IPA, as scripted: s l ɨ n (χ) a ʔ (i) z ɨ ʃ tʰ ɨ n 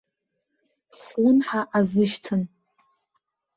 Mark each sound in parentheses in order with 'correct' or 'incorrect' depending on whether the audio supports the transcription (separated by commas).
incorrect, incorrect